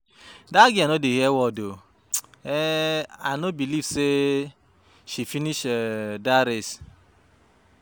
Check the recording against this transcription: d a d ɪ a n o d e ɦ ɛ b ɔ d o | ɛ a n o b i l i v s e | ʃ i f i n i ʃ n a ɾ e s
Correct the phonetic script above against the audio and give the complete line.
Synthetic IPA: d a ɡ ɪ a n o d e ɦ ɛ w ɔ d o | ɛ a n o b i l i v s e | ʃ i f i n i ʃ d a ɾ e s